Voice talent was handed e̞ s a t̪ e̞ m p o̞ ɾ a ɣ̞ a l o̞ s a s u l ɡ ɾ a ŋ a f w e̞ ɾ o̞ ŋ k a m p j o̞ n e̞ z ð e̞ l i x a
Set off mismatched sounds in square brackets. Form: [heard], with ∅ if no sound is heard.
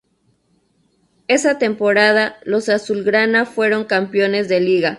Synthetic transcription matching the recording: e̞ s a t̪ e̞ m p o̞ ɾ a [ð̞] a l o̞ s a s u l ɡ ɾ a [n] a f w e̞ ɾ o̞ ŋ k a m p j o̞ n e̞ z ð e̞ l i [ɣ] a